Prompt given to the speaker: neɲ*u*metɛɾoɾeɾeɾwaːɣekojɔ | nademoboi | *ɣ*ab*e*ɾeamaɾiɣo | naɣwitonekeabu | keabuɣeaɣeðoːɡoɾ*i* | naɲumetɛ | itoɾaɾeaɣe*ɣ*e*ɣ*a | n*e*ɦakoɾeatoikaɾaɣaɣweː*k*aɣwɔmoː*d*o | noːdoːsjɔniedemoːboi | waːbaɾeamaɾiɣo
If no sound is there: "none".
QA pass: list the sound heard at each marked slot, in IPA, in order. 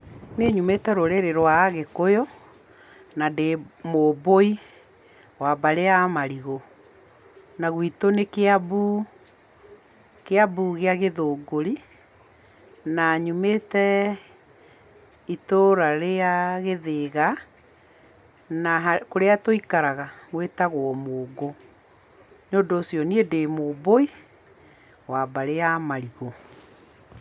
u, w, a, i, ð, ɣ, a, t, ɡ

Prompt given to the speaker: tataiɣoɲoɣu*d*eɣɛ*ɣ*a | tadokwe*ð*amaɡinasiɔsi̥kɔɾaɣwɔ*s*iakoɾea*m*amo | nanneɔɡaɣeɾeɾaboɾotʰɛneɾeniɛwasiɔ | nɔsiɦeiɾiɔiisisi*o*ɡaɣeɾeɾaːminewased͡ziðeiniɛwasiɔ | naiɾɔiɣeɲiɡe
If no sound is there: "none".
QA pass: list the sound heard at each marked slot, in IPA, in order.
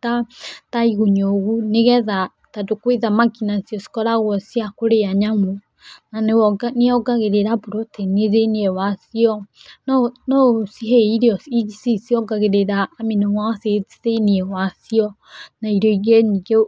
n, ð, ð, s, ɲ, ɔ

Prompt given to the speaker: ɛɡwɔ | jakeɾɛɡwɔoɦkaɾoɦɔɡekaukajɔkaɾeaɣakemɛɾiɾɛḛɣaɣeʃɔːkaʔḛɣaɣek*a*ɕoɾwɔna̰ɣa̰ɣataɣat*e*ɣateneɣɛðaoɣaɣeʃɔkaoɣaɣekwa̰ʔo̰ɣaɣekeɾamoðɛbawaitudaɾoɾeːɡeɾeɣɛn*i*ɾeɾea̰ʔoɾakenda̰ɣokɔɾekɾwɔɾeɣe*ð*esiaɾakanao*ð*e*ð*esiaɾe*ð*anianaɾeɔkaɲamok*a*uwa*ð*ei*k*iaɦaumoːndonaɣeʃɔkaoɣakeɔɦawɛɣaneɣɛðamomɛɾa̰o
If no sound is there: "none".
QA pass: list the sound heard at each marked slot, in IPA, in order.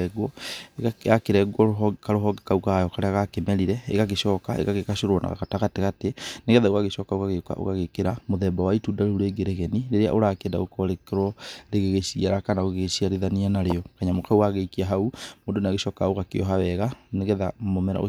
a, e, i, ɣ, ɣ, ɣ, ð, a, ɣ, k

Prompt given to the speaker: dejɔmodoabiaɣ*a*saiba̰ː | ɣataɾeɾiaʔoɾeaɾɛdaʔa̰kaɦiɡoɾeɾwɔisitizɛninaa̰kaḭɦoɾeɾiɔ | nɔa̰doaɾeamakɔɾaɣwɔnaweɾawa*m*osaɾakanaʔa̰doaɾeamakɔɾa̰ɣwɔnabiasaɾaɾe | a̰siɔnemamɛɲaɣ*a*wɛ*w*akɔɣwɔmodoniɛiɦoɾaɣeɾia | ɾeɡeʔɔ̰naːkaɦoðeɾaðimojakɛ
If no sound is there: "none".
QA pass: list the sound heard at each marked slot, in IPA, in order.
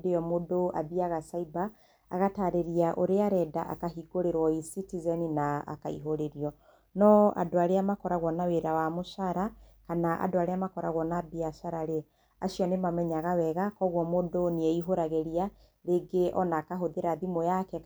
a, m, a, ɣ

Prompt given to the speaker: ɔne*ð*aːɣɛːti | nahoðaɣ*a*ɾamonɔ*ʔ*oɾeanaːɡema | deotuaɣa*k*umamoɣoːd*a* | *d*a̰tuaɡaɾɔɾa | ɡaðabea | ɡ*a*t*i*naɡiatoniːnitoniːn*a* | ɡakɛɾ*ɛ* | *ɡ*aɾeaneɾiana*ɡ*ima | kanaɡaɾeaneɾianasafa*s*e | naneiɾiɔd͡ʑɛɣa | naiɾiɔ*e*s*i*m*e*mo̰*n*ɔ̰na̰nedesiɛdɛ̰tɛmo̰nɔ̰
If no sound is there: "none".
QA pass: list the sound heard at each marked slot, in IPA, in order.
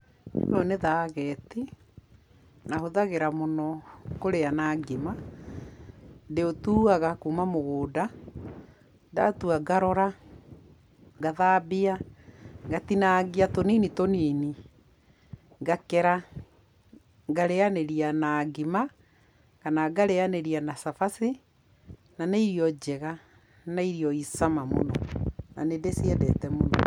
ð, e, k, k, a, d, a, i, i, a, ɡ, ɡ, s, i, a, a, n

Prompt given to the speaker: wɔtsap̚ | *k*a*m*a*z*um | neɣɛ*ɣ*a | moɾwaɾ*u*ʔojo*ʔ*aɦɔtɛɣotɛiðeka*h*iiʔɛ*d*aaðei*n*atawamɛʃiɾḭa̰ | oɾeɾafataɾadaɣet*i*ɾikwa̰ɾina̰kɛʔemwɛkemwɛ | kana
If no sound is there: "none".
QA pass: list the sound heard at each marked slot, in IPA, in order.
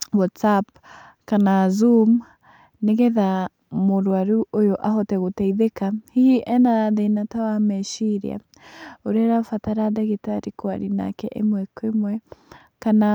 k, n, z, ð, u, ʔ, h, n, n, a

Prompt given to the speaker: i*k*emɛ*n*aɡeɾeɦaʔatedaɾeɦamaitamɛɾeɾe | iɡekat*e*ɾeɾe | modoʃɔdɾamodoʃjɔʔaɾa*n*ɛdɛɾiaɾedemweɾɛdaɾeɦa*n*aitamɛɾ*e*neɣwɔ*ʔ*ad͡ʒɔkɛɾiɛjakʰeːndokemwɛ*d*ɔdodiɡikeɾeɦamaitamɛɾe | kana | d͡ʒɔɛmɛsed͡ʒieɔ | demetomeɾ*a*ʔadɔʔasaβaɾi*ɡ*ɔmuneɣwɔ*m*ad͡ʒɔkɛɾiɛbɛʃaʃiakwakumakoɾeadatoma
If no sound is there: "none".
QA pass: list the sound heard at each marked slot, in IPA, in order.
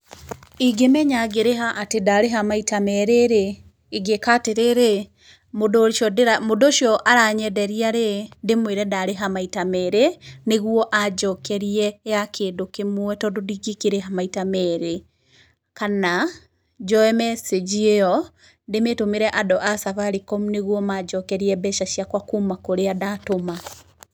ɡ, ɲ, e, ɲ, m, e, ʔ, t, ɛ, k, m

